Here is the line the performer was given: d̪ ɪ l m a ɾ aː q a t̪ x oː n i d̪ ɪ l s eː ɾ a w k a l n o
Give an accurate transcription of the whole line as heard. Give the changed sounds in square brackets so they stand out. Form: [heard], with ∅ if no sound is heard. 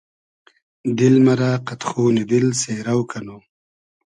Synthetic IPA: d̪ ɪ l m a ɾ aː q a t̪ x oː n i d̪ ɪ l s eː ɾ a w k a [∅] n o